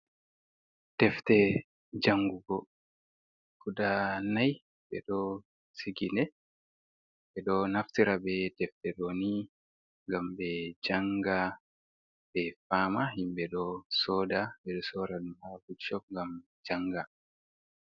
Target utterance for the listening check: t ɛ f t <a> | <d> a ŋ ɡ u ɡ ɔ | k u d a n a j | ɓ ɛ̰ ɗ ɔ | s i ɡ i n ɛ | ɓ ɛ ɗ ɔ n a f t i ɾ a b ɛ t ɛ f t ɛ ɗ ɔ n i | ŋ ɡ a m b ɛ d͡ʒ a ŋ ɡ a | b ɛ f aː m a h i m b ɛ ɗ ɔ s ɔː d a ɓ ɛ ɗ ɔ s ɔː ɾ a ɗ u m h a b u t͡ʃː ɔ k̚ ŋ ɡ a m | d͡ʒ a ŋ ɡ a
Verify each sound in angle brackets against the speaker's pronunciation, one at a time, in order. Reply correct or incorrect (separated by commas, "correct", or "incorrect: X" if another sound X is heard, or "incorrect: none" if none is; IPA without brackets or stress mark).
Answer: incorrect: ɛ, incorrect: d͡ʒ